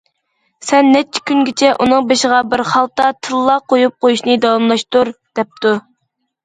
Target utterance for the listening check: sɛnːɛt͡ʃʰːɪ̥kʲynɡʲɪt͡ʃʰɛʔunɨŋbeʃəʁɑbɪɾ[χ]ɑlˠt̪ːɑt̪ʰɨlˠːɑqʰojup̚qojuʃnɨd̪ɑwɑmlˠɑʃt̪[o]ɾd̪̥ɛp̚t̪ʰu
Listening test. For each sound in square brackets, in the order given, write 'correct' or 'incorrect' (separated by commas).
correct, incorrect